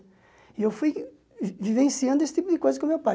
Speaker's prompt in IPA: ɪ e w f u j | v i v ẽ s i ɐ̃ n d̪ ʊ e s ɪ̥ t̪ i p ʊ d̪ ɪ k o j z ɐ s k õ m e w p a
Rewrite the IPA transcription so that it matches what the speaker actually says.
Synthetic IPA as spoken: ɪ e w f u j | v i v ẽ s i ɐ̃ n d̪ ʊ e s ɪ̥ t̪ i p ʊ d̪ ɪ k o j z ɐ s k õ m e w p a